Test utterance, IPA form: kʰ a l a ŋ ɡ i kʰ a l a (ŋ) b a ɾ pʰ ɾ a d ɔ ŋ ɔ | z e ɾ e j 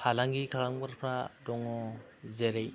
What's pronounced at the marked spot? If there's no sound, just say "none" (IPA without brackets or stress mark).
ŋ